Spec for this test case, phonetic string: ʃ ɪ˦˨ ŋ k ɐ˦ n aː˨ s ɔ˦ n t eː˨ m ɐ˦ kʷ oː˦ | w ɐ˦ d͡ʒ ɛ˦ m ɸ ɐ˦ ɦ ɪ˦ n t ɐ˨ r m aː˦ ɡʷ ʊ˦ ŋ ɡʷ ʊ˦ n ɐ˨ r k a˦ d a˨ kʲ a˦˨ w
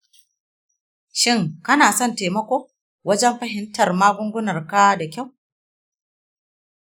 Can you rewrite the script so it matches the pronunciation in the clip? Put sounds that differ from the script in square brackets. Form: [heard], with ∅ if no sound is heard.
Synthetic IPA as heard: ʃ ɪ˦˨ ŋ k ɐ˦ n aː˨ s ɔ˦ n t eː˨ m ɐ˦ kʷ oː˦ | w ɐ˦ d͡ʒ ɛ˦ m ɸ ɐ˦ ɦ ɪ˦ n t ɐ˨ r m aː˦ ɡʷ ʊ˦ ŋ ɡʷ ʊ˦ n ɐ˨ r k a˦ d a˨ kʲ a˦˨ w